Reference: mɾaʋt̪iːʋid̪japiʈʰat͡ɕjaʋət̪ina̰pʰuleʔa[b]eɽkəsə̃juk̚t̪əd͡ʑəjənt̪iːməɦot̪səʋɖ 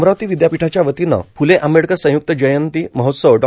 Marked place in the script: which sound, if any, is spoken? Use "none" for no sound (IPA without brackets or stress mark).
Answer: m